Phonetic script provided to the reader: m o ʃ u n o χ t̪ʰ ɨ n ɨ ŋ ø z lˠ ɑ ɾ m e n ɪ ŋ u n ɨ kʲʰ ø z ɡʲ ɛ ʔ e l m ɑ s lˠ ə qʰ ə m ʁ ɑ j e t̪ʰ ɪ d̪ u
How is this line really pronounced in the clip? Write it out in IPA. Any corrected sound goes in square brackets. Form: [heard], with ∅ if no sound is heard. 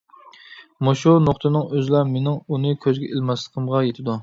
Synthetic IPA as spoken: m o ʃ u n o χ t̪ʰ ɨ n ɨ ŋ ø z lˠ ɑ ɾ m e n ɪ ŋ u n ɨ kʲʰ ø z ɡʲ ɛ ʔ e l m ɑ s lˠ ə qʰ ə m ʁ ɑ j e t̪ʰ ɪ d̪ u